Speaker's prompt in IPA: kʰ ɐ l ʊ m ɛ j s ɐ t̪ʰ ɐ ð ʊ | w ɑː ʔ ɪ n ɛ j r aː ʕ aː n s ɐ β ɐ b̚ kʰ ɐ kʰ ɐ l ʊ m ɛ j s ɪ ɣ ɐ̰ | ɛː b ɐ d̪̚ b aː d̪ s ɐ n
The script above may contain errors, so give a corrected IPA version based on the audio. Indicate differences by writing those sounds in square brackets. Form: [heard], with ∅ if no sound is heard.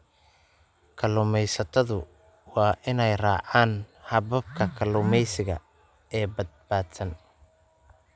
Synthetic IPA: kʰ ɐ l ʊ m ɛ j s ɐ t̪ʰ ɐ ð ʊ | w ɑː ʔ ɪ n ɛ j r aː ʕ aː n [h] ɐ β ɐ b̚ kʰ ɐ kʰ ɐ l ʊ m ɛ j s ɪ ɣ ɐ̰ | ɛː b ɐ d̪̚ b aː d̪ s ɐ n